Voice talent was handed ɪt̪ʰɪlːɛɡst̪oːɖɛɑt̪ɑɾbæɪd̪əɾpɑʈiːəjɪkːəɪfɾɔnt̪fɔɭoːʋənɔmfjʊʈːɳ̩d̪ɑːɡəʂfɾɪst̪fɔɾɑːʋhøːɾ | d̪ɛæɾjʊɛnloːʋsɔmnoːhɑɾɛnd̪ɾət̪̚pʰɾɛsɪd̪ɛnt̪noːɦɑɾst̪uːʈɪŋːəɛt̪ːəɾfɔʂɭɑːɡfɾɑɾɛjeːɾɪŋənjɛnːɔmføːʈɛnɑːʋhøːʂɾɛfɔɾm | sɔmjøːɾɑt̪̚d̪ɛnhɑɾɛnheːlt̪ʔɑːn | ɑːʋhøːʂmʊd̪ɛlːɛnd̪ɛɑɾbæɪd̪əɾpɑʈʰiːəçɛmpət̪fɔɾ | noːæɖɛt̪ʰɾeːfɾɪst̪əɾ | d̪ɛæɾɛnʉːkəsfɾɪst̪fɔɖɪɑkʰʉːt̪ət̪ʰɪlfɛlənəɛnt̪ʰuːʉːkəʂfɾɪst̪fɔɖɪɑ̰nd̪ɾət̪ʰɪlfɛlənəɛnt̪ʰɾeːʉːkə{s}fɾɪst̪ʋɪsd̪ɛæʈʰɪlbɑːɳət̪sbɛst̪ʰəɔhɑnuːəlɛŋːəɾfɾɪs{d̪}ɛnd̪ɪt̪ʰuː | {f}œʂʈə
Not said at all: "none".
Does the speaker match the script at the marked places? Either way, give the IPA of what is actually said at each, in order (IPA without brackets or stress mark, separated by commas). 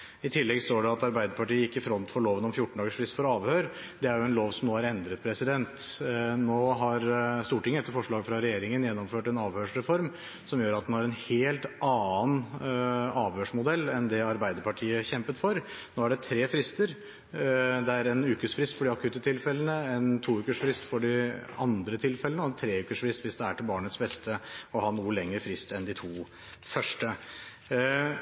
ʂ, t̪, f